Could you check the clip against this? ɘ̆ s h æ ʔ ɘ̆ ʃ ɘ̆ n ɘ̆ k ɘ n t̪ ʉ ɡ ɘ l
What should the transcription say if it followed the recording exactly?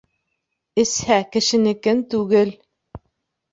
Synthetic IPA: ɘ̆ s h æ k ɘ̆ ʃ ɘ̆ n ɘ̆ k ɘ n t̪ ʉ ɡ ɘ l